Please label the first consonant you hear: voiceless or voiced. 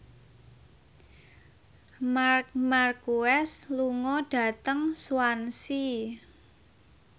voiced